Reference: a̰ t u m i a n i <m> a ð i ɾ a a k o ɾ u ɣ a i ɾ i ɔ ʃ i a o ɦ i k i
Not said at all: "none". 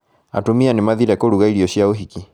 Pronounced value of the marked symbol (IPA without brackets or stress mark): m